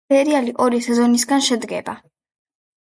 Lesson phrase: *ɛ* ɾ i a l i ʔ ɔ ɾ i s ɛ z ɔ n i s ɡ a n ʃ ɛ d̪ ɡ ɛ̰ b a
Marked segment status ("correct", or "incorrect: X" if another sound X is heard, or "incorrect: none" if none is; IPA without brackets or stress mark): correct